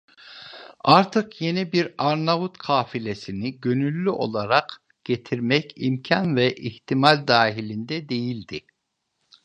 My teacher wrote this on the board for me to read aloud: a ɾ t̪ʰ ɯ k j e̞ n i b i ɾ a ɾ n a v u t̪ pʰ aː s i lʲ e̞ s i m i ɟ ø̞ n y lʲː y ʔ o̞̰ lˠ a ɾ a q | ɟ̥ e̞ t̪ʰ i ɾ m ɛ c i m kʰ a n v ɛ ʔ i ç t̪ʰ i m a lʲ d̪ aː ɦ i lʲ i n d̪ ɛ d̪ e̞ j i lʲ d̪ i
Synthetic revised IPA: a ɾ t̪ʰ ɯ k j e̞ n i b i ɾ a ɾ n a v u t̪ kʰ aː f i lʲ e̞ s i n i ɟ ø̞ n y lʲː y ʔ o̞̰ lˠ a ɾ a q | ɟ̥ e̞ t̪ʰ i ɾ m ɛ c i m cʰ a n v ɛ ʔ i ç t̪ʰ i m a lʲ d̪ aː ɦ i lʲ i n d̪ ɛ d̪ e̞ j i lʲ d̪ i